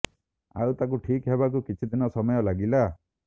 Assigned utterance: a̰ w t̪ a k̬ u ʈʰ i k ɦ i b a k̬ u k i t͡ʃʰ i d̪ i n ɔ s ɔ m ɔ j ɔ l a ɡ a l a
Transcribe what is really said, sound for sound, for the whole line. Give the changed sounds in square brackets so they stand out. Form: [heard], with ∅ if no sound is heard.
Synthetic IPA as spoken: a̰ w t̪ a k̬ u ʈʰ i k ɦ [e] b a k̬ u k i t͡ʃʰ i d̪ i n ɔ s ɔ m ɔ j ɔ l a ɡ [i] l a

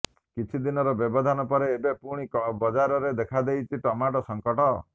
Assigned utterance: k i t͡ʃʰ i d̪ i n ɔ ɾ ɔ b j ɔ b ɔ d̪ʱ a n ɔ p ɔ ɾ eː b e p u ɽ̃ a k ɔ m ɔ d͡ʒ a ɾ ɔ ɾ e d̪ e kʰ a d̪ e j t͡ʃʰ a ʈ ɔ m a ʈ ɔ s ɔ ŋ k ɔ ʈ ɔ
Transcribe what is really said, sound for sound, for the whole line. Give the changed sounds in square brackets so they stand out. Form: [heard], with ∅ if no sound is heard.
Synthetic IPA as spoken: k i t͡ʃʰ i d̪ i n ɔ ɾ ɔ b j ɔ b ɔ d̪ʱ a n ɔ p ɔ ɾ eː b e p u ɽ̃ [i] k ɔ [b] ɔ d͡ʒ a ɾ ɔ ɾ e d̪ e kʰ a d̪ e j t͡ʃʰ [i] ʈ ɔ m a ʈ ɔ s ɔ ŋ k ɔ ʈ ɔ

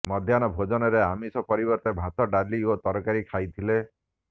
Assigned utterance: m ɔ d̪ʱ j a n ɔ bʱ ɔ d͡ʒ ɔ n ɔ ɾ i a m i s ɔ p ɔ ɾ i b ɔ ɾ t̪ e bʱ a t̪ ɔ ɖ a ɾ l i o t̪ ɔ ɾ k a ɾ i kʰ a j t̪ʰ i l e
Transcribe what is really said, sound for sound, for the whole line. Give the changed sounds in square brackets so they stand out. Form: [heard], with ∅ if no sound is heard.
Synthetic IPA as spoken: m ɔ d̪ʱ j a n ɔ bʱ [o] d͡ʒ ɔ n ɔ ɾ [e] a m i s ɔ p ɔ ɾ i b ɔ ɾ t̪ e bʱ a t̪ ɔ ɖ a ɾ l i o t̪ ɔ ɾ k a ɾ i kʰ a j t̪ʰ i l e

